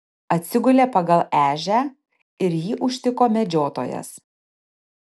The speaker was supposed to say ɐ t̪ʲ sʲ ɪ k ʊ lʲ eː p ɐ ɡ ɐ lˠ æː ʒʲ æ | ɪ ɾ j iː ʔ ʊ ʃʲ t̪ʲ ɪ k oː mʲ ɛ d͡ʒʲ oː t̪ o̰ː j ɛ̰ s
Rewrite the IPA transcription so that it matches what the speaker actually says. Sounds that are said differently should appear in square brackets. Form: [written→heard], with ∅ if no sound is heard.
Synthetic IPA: ɐ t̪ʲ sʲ ɪ [k→ɡ] ʊ lʲ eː p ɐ ɡ ɐ lˠ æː ʒʲ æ | ɪ ɾ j iː ʔ ʊ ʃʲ t̪ʲ ɪ k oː mʲ ɛ d͡ʒʲ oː t̪ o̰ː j ɛ̰ s

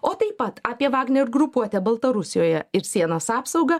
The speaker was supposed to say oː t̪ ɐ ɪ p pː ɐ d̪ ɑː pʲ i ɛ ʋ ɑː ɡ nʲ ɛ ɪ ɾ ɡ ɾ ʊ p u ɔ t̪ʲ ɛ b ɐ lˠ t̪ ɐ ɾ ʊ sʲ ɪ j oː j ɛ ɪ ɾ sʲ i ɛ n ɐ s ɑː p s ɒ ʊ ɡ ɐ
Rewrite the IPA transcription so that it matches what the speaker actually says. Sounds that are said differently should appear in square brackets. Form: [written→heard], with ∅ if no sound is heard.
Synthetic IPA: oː t̪ ɐ ɪ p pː ɐ [d̪→t̪] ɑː pʲ i ɛ ʋ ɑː ɡ nʲ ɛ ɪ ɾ ɡ ɾ ʊ p u ɔ t̪ʲ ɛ b ɐ lˠ t̪ ɐ ɾ ʊ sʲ ɪ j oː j ɛ ɪ ɾ sʲ i ɛ n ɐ s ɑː p s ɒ ʊ ɡ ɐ

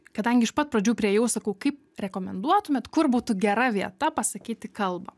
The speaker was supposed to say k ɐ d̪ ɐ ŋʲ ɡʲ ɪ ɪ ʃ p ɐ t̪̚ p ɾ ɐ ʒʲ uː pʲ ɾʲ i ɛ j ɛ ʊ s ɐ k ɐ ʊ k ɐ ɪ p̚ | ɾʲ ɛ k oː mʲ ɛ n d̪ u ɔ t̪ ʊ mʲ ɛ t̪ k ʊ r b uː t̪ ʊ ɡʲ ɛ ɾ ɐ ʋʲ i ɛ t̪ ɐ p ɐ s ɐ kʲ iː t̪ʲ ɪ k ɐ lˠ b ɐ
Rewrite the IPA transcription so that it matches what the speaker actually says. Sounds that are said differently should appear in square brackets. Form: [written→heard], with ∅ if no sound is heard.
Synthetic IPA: k ɐ d̪ ɐ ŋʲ ɡʲ ɪ ɪ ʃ p ɐ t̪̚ p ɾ ɐ [ʒʲ→d͡ʒʲ] uː pʲ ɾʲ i ɛ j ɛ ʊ s ɐ k ɐ ʊ k ɐ ɪ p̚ | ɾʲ ɛ k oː mʲ ɛ n d̪ u ɔ t̪ ʊ mʲ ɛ t̪ k ʊ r b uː t̪ ʊ ɡʲ ɛ ɾ ɐ ʋʲ i ɛ t̪ ɐ p ɐ s ɐ kʲ iː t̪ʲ ɪ k ɐ lˠ b ɐ

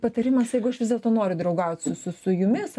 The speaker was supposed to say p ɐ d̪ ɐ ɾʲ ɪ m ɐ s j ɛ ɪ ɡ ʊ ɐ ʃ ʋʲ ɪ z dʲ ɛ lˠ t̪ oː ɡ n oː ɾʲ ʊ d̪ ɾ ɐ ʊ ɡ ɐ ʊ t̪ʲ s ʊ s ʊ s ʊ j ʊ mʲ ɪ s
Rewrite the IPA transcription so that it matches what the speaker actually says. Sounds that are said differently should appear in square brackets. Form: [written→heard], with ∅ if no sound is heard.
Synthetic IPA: p ɐ [d̪→t̪] ɐ ɾʲ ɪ m ɐ s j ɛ ɪ ɡ ʊ ɐ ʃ ʋʲ ɪ z dʲ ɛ lˠ t̪ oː [ɡ→∅] n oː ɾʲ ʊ d̪ ɾ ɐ ʊ ɡ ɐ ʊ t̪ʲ s ʊ s ʊ s ʊ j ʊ mʲ ɪ s

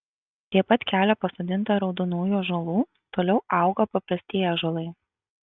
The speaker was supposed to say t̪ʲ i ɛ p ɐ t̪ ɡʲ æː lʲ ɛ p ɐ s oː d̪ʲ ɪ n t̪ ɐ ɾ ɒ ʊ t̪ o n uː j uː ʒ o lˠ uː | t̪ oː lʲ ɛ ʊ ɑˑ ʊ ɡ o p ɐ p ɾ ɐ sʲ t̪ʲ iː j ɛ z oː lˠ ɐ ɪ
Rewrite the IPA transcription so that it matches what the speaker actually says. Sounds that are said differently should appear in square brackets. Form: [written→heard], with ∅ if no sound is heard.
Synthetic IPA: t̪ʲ i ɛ p ɐ t̪ [ɡʲ→kʲ] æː lʲ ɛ p ɐ s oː d̪ʲ ɪ n t̪ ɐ ɾ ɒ ʊ [t̪→d̪] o n uː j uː ʒ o lˠ uː | t̪ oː lʲ ɛ ʊ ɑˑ ʊ ɡ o p ɐ p ɾ ɐ sʲ t̪ʲ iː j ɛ [z→ʒ] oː lˠ ɐ ɪ

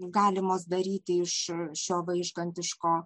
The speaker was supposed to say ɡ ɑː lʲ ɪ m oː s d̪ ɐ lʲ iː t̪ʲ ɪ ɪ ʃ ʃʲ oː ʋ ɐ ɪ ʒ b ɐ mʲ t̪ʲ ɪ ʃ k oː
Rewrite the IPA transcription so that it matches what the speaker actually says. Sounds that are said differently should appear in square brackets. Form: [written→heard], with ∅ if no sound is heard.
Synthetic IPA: ɡ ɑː lʲ ɪ m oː s d̪ ɐ [lʲ→ɾʲ] iː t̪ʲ ɪ ɪ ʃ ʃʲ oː ʋ ɐ ɪ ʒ [b→ɡ] ɐ [mʲ→nʲ] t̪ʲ ɪ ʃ k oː

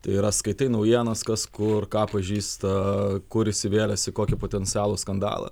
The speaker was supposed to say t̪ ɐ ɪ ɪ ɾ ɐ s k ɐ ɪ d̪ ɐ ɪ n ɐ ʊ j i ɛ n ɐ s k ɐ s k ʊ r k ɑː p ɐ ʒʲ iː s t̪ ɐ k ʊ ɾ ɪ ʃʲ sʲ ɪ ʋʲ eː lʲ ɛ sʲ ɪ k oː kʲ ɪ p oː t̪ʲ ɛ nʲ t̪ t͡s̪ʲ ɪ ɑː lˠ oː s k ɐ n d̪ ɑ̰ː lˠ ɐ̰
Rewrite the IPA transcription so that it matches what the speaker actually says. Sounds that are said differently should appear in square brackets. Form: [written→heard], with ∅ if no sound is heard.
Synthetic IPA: t̪ ɐ ɪ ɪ ɾ ɐ s k ɐ ɪ [d̪→t̪] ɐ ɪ n ɐ ʊ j i ɛ n ɐ s k ɐ s k ʊ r k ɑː p ɐ ʒʲ iː s t̪ ɐ k ʊ ɾ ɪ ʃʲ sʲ ɪ ʋʲ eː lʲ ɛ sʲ ɪ k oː kʲ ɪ p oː t̪ʲ ɛ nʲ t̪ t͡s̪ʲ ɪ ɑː lˠ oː s k ɐ n d̪ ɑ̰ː lˠ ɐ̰

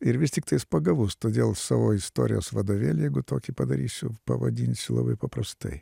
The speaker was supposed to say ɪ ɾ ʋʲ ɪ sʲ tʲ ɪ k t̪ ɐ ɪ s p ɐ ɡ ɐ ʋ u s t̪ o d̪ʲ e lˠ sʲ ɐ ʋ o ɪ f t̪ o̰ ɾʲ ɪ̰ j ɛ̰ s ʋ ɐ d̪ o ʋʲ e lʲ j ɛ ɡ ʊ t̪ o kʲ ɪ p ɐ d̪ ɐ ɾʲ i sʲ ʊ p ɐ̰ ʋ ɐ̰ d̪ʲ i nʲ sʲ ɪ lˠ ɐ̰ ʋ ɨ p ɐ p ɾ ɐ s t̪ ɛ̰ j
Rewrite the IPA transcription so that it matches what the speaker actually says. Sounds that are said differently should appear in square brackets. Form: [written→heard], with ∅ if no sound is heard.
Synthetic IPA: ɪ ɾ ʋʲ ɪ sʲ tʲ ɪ k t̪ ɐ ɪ s p ɐ ɡ ɐ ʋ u s t̪ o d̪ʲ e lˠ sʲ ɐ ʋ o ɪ [f→s] t̪ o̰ ɾʲ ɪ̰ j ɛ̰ s ʋ ɐ d̪ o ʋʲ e lʲ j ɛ ɡ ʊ t̪ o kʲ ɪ p ɐ d̪ ɐ ɾʲ i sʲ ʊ p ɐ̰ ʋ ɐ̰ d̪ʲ i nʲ sʲ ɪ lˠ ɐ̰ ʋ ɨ p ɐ p ɾ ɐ s t̪ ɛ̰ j

